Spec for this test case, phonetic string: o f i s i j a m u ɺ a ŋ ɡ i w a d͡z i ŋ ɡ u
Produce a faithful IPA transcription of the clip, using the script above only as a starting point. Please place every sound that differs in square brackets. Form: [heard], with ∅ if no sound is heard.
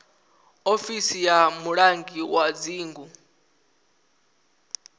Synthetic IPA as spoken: o f i s i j a m u ɺ a ŋ ɡ i w a d͡z [iː] ŋ ɡ u